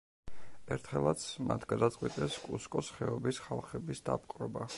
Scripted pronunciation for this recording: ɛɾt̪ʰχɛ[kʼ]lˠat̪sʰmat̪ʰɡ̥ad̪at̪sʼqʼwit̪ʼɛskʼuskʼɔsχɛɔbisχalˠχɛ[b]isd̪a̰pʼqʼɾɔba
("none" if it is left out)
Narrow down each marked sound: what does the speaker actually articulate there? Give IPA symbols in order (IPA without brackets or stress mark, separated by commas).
none, b